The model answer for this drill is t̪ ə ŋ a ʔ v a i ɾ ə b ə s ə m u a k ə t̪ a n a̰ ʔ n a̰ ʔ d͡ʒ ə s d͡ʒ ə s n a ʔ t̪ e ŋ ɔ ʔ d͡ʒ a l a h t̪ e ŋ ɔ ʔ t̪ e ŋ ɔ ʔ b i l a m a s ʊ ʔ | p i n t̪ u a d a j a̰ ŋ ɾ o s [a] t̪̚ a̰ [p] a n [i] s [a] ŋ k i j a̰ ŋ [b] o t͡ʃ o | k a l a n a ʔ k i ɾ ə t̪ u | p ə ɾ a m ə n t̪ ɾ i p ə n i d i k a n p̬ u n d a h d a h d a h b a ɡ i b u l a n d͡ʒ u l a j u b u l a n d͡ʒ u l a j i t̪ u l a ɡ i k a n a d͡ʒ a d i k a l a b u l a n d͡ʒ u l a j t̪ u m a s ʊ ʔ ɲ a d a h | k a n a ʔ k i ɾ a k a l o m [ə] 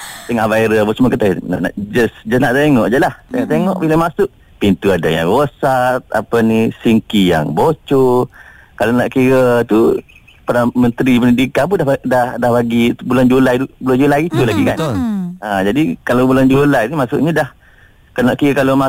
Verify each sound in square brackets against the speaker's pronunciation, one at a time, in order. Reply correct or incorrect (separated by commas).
correct, correct, correct, incorrect, correct, incorrect